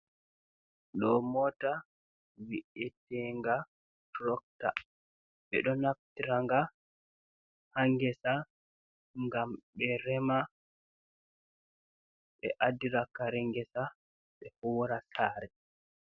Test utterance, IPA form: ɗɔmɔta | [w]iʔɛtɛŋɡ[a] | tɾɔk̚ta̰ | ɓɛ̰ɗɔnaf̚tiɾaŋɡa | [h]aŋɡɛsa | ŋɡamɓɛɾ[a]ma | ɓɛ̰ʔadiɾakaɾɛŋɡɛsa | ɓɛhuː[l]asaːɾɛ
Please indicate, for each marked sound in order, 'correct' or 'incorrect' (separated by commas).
correct, correct, correct, incorrect, incorrect